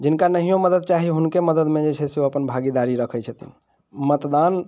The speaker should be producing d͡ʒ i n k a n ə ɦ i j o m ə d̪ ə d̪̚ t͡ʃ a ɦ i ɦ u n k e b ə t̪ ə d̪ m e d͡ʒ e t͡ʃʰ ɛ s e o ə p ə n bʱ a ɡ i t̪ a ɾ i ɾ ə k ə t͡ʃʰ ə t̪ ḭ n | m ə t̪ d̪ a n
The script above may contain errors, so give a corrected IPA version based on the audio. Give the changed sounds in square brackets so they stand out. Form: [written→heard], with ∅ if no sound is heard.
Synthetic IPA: d͡ʒ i n k a n ə ɦ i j o m ə d̪ ə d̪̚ t͡ʃ a ɦ i ɦ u n k e [b→m] ə [t̪→d̪] ə d̪ m e d͡ʒ e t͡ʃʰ ɛ s e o ə p ə n bʱ a ɡ i [t̪→d̪] a ɾ i ɾ ə [k→kʰ] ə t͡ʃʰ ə t̪ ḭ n | m ə t̪ d̪ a n